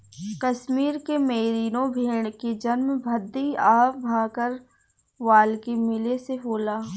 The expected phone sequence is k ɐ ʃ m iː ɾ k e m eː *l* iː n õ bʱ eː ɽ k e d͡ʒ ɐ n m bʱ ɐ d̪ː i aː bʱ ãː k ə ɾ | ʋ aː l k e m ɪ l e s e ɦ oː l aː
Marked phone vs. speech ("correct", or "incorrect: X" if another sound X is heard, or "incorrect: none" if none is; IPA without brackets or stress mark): incorrect: ɾ